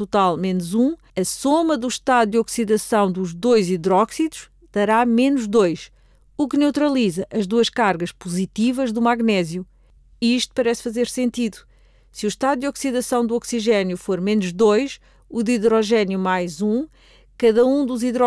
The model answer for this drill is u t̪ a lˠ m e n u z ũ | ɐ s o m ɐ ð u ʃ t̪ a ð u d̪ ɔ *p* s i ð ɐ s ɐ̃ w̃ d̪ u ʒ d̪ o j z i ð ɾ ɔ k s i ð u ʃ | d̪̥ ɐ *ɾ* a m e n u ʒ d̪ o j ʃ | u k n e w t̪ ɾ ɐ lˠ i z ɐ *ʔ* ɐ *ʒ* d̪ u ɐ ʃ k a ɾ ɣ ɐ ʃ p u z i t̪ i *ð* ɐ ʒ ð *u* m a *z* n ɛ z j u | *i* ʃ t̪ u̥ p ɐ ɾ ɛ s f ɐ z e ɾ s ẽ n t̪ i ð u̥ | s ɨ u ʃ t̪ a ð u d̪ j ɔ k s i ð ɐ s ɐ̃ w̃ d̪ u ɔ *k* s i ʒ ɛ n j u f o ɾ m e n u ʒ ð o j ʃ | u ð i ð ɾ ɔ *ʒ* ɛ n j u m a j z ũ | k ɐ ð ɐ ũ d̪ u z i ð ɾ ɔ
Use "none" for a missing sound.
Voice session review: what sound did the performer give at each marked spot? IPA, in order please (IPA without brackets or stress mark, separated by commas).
k, ɾ, ʔ, ʒ, v, u, ɣ, i, k, ʒ